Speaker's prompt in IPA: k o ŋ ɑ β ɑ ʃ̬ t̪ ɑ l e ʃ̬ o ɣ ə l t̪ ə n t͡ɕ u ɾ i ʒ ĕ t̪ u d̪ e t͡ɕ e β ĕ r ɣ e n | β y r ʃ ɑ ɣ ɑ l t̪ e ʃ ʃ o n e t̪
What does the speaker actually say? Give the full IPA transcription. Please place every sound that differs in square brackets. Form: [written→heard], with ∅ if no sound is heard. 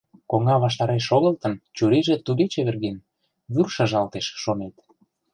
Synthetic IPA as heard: k o ŋ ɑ β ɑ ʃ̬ t̪ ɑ [l→ɾ] e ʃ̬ o ɣ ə l t̪ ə n t͡ɕ u ɾ i ʒ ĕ t̪ u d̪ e t͡ɕ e β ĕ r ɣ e n | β y r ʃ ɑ [ɣ→ʒ] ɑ l t̪ e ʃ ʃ o n e t̪